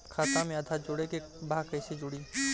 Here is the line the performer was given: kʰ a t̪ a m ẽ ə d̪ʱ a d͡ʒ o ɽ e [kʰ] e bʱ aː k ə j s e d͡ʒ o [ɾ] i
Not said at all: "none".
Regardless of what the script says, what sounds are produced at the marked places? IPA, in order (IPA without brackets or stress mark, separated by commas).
k, ɽ